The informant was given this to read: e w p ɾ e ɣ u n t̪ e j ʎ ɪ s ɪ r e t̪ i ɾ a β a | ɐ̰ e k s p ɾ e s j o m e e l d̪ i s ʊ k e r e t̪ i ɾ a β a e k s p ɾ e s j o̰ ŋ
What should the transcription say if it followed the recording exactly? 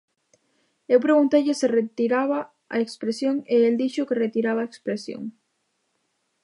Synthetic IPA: e w p ɾ e ɣ u n t̪ e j ʎ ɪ s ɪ r e t̪ i ɾ a β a | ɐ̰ e k s p ɾ e s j o ŋ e e l d̪ i ʃ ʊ k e r e t̪ i ɾ a β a e k s p ɾ e s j o̰ ŋ